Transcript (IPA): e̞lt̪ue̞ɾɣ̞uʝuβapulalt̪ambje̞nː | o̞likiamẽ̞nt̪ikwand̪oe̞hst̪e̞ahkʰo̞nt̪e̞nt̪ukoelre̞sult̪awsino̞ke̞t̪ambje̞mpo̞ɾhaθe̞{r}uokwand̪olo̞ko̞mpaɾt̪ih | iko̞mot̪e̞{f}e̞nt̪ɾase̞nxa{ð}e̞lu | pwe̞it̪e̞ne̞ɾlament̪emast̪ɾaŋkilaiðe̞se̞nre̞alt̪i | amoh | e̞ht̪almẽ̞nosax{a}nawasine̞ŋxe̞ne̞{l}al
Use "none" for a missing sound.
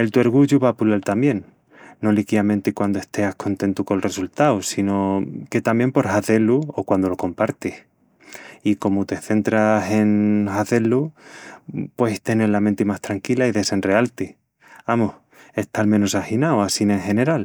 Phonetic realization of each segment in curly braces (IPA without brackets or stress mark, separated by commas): l, θ, θ, i, ɾ